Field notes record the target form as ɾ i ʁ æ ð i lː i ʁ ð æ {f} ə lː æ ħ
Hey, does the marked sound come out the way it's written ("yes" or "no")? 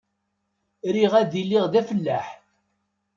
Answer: yes